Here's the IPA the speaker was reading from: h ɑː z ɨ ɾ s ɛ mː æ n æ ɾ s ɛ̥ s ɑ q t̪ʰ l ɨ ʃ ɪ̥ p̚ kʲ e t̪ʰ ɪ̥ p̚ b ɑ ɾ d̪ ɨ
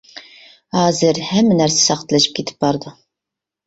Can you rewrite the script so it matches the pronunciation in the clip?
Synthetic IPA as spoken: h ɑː z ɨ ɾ h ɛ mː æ n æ ɾ s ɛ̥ s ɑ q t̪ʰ l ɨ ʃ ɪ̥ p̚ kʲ e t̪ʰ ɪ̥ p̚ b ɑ ɾ d̪ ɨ